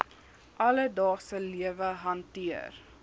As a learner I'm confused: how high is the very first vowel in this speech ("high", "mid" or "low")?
low